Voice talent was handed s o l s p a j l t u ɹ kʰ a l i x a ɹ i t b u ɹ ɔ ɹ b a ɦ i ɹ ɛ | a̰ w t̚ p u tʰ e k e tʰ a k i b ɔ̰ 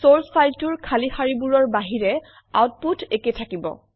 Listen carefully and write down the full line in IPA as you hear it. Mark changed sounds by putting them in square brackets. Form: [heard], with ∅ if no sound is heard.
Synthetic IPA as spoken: s o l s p a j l t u ɹ kʰ a l i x a ɹ i [∅] b u ɹ ɔ ɹ b a ɦ i ɹ ɛ | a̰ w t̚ p u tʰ e k e tʰ a k i b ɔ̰